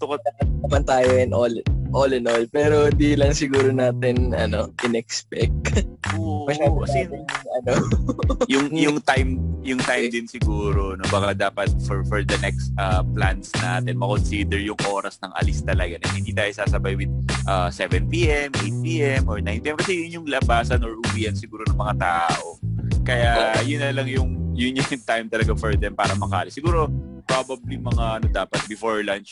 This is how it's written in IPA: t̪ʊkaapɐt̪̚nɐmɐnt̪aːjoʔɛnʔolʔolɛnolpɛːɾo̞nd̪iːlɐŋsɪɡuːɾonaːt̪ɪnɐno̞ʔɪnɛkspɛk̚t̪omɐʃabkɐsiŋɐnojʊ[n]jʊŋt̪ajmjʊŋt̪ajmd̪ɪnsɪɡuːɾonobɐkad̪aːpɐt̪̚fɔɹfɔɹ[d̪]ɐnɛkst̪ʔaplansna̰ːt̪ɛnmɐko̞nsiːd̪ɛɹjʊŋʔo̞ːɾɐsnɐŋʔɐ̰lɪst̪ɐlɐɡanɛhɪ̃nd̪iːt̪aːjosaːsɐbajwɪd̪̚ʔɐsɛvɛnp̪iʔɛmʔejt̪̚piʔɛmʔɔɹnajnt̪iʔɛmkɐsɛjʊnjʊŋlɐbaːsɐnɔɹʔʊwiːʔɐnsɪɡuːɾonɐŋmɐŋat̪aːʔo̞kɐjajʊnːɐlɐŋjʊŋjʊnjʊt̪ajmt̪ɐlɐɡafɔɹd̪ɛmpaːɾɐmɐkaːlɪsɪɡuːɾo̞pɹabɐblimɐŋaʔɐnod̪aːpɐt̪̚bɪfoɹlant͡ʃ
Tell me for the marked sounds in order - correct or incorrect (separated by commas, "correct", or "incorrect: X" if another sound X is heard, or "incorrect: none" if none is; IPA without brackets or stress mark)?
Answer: incorrect: ŋ, correct